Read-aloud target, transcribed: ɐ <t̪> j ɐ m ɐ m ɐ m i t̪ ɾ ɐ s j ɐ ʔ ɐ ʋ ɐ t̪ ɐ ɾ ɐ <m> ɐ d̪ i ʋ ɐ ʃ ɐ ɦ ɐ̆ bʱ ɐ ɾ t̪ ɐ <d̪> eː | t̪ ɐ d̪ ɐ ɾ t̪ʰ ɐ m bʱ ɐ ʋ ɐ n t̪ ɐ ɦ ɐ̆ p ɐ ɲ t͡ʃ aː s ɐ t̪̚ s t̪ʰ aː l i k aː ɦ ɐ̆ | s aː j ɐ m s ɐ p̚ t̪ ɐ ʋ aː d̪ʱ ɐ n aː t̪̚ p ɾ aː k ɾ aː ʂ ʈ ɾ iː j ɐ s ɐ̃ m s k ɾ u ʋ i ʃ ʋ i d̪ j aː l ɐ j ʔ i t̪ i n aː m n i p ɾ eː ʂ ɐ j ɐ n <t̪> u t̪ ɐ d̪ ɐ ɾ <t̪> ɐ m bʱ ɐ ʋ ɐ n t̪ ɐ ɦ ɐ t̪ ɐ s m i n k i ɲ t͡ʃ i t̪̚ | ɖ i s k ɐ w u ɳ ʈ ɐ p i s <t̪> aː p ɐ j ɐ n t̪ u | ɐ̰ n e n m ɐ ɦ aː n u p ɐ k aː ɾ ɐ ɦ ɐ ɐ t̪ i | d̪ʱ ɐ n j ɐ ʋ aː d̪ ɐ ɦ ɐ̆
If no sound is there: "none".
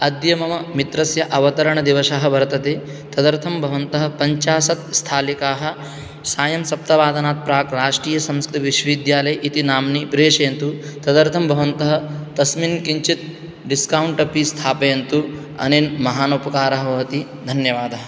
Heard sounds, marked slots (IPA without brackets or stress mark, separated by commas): d̪, ɳ, t̪, t̪, t̪ʰ, t̪ʰ